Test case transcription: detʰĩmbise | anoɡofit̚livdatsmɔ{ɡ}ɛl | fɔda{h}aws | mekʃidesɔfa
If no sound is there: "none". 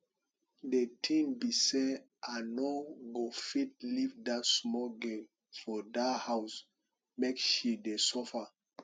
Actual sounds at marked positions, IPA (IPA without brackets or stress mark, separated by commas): ɡ, h